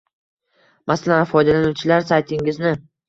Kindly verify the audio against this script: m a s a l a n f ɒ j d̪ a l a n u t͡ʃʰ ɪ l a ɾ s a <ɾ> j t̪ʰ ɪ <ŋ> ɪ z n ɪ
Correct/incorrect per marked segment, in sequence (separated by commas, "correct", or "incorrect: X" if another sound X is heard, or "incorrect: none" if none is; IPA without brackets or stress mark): incorrect: none, correct